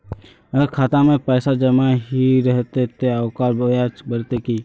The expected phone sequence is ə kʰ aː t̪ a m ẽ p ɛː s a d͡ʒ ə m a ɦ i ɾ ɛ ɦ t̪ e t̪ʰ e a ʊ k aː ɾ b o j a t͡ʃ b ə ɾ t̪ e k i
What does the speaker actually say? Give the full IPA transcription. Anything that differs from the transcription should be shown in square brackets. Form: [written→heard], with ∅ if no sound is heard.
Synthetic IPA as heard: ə kʰ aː t̪ a m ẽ p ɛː s a d͡ʒ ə m a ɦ i ɾ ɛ ɦ t̪ e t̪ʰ e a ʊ k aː ɾ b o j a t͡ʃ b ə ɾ t̪ e k i

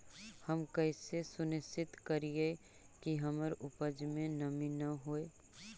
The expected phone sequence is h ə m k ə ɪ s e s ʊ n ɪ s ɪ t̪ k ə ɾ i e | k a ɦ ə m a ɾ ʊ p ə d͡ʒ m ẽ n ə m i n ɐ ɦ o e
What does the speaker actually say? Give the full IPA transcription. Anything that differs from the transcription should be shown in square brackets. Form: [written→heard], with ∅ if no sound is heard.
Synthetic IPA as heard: h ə m k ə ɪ s e s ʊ n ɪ s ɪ t̪ k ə ɾ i e | k [a→i] ɦ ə m [a→ə] ɾ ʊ p ə d͡ʒ m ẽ n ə m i n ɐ ɦ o e

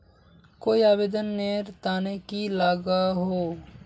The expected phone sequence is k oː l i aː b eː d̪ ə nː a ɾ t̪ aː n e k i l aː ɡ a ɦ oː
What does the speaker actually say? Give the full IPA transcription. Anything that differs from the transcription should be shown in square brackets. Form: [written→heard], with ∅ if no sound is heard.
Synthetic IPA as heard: k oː [l→∅] i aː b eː d̪ ə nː [a→e] ɾ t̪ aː n e k i l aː ɡ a ɦ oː

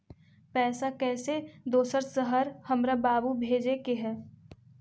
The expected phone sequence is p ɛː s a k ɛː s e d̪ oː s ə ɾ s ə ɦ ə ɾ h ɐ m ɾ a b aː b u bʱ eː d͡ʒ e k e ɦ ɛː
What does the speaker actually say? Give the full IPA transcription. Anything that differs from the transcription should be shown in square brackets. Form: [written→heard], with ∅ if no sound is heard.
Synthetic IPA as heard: p ɛː s a k ɛː s e d̪ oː s ə ɾ s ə ɦ ə ɾ h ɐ m ɾ a b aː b u bʱ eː d͡ʒ e k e ɦ ɛː

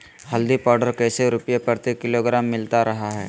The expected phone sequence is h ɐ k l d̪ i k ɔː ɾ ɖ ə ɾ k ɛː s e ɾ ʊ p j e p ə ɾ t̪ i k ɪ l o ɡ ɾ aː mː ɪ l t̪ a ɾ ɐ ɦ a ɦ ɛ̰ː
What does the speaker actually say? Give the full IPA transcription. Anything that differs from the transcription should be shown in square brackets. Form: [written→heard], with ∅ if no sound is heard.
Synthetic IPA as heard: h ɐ [k→∅] l d̪ i [k→p] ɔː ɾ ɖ ə ɾ k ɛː s e ɾ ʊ p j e p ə ɾ t̪ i k ɪ l o ɡ ɾ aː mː ɪ l t̪ a ɾ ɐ ɦ a ɦ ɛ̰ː

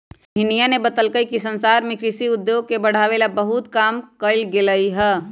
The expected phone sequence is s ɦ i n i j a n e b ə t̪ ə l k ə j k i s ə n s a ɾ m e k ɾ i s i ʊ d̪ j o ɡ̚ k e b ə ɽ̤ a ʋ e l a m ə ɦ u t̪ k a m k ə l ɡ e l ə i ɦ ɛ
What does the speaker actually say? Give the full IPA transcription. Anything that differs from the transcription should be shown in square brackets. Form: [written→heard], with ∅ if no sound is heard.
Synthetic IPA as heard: s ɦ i n i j a n e b ə t̪ ə l k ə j k i s ə n s a ɾ m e k ɾ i s i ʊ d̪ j o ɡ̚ k e b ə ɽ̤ a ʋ e l a [m→b] ə ɦ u t̪ k a m k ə l ɡ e l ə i ɦ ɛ

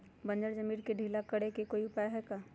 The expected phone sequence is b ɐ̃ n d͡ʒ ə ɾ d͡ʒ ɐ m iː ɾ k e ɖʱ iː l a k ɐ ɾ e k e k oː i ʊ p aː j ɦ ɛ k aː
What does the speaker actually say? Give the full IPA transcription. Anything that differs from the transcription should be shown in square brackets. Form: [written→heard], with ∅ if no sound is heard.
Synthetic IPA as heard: b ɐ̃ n d͡ʒ ə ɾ d͡ʒ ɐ m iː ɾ k e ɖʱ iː l a k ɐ [ɾ→ɽ] e k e k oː i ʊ p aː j ɦ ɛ k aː

